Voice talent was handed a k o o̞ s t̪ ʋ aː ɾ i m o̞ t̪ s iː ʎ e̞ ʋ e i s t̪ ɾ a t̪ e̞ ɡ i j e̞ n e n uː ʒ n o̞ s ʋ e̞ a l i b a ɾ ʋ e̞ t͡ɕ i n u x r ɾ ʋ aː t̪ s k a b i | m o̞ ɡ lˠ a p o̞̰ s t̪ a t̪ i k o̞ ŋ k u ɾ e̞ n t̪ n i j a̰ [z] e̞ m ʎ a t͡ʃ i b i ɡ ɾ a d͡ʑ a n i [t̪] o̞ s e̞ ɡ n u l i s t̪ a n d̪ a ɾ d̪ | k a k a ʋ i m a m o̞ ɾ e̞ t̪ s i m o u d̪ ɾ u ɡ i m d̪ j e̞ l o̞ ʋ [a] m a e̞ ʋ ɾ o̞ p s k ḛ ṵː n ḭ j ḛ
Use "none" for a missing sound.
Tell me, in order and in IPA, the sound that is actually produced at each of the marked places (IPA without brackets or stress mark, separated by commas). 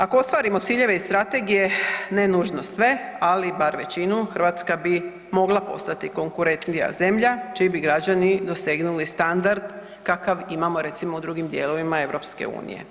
z, d̪, i